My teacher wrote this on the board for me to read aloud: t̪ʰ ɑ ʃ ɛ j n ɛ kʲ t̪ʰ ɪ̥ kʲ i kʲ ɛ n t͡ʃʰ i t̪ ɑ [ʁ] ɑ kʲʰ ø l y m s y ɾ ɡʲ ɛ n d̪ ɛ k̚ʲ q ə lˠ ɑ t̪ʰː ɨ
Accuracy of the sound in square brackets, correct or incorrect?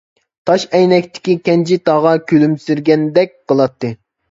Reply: correct